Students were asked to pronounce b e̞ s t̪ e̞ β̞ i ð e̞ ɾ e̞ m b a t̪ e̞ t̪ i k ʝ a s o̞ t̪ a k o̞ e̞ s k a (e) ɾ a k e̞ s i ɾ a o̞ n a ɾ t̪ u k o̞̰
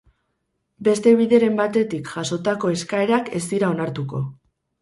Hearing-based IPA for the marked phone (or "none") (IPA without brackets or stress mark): e